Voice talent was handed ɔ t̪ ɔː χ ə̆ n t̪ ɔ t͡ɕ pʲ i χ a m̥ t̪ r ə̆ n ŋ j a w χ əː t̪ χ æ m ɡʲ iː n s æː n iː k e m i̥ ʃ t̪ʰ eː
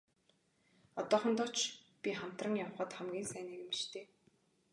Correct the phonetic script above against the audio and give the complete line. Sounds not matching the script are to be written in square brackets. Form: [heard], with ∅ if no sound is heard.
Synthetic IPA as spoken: ɔ t̪ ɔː χ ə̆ n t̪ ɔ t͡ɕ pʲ i χ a m̥ t̪ r ə̆ [∅] ŋ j a w χ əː t̪ χ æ m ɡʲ iː n s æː n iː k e m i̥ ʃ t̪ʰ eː